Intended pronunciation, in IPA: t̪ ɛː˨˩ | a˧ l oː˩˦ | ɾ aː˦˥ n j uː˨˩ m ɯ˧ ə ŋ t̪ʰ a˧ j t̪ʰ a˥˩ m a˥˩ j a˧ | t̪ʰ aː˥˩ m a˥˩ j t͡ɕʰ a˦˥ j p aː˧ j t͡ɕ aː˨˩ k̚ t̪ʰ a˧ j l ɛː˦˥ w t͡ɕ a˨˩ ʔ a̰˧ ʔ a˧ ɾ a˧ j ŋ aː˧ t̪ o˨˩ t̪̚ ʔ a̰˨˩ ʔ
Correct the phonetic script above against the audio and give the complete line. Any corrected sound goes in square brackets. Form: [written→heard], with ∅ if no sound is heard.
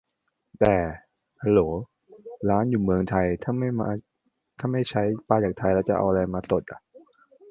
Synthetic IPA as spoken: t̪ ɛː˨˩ | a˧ l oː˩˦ | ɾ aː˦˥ n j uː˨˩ m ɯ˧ ə ŋ t̪ʰ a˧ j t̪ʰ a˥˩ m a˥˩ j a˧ | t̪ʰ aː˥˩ m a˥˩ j t͡ɕʰ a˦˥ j p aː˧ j t͡ɕ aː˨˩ k̚ t̪ʰ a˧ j l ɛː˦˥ w t͡ɕ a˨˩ ʔ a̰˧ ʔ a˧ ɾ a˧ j [ŋ→m] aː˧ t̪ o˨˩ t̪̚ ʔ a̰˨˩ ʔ